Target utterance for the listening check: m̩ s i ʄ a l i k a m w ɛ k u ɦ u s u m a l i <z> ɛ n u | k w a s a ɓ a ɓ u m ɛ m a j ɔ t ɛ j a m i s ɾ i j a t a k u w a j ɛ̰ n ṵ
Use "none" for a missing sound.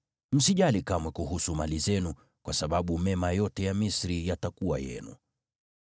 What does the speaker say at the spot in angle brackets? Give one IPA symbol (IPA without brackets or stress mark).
z